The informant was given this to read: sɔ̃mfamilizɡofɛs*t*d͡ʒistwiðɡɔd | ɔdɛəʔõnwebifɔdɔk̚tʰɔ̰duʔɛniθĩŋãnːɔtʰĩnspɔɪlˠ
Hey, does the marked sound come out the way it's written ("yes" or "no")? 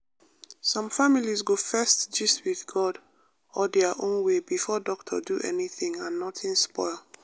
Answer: yes